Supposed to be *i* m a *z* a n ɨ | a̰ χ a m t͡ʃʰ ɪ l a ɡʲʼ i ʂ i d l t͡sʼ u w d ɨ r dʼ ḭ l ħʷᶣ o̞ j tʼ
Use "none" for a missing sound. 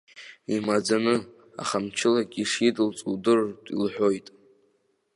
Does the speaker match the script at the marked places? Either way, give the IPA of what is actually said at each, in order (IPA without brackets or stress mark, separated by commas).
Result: i, d͡z